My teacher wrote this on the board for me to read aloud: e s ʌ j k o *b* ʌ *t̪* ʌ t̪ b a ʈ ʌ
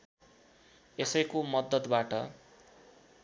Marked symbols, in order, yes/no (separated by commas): no, no